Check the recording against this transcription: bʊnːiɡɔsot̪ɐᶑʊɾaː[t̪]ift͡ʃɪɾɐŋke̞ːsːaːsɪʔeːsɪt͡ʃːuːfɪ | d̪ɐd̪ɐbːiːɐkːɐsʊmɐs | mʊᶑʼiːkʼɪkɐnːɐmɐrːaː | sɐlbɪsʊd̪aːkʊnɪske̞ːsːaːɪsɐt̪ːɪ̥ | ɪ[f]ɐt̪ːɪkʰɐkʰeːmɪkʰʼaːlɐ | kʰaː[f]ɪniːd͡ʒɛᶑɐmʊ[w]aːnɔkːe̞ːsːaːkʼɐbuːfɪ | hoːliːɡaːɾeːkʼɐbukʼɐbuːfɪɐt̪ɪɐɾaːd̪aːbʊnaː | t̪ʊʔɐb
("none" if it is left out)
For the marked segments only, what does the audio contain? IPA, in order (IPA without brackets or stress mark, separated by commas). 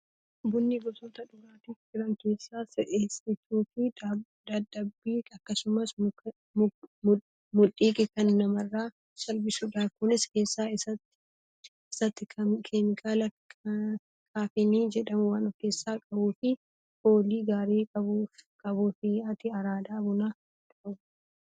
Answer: t̪, s, f, w